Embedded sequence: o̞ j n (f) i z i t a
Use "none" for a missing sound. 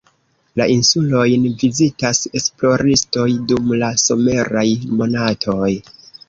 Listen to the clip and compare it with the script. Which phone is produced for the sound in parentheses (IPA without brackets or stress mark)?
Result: v